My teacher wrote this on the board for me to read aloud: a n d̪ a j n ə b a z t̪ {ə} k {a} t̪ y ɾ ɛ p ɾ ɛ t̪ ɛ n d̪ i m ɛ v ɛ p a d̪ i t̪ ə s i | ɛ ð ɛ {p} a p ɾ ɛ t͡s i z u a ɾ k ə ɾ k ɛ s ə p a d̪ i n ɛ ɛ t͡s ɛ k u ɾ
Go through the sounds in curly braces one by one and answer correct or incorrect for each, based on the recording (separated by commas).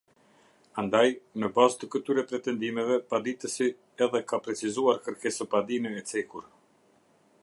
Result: correct, incorrect, incorrect